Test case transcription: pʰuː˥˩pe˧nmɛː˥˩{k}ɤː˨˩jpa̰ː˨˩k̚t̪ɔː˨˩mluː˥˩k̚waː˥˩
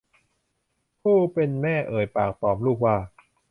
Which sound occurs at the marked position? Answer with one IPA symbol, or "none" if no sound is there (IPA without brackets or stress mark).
ʔ